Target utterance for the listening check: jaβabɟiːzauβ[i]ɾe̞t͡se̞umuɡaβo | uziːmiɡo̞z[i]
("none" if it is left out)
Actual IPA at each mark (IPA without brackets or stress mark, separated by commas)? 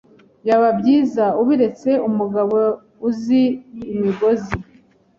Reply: i, i